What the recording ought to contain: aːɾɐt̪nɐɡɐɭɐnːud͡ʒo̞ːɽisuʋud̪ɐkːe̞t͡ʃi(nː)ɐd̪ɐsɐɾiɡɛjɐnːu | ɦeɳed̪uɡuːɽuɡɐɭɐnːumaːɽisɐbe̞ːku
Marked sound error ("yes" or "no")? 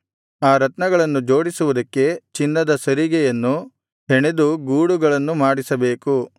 no